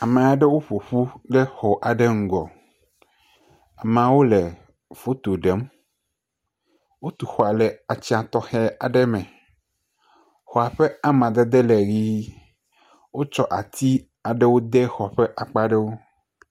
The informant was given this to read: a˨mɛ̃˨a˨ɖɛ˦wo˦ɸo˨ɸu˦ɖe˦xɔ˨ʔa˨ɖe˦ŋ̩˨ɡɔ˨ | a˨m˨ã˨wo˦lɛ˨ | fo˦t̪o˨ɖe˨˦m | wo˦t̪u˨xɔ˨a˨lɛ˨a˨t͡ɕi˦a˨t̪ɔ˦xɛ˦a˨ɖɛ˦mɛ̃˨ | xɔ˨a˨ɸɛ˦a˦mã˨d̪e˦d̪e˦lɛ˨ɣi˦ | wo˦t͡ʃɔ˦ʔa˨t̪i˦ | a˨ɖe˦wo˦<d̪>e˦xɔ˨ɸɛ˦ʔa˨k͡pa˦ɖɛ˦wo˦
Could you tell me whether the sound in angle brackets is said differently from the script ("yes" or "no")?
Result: no